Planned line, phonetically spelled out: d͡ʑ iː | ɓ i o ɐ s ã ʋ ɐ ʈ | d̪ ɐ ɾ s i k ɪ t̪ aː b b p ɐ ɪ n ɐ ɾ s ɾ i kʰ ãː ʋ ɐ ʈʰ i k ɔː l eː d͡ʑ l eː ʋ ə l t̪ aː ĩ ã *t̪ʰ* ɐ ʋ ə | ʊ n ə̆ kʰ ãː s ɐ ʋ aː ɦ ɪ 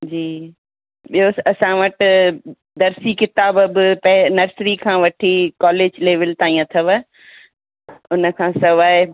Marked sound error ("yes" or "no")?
no